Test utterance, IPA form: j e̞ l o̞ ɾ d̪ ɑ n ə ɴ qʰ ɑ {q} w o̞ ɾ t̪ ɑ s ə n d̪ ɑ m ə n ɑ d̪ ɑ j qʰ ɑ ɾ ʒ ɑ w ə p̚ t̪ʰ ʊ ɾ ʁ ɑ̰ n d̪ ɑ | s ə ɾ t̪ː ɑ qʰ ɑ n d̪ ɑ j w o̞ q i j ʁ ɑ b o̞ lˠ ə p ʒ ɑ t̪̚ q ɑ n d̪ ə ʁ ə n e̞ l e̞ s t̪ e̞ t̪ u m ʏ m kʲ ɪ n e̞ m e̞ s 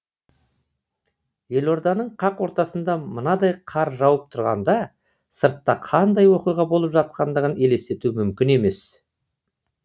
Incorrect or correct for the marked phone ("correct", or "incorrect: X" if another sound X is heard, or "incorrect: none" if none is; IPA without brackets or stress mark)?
correct